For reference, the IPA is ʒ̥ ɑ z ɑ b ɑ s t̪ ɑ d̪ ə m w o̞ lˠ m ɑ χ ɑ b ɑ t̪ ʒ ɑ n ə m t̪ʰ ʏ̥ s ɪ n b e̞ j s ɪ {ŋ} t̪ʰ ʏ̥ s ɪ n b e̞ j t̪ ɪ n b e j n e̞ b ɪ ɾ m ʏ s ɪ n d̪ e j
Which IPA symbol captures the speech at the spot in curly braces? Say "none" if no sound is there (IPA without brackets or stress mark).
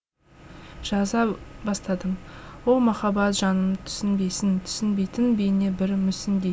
n